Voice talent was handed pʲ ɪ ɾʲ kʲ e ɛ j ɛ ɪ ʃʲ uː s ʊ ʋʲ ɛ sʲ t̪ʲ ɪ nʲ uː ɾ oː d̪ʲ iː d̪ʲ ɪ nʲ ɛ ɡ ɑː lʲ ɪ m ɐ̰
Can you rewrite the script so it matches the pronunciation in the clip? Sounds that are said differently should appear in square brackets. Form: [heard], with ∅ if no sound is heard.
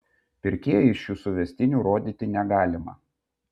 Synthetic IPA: pʲ ɪ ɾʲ kʲ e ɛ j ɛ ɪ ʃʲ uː s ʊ ʋʲ ɛ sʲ t̪ʲ ɪ nʲ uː ɾ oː d̪ʲ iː [t̪ʲ] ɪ nʲ ɛ ɡ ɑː lʲ ɪ m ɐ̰